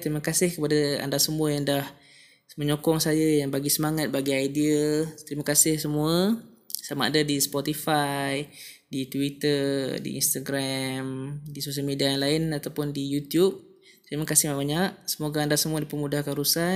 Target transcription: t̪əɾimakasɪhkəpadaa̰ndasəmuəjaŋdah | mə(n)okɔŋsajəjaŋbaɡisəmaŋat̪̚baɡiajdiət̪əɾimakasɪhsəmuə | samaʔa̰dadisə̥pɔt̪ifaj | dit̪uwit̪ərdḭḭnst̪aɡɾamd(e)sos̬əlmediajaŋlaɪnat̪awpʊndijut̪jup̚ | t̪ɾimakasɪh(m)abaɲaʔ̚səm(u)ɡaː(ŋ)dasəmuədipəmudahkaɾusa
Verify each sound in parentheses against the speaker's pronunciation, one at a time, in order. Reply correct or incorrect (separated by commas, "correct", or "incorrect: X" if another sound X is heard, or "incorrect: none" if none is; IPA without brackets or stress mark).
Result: incorrect: ɲ, incorrect: i, correct, incorrect: o, incorrect: n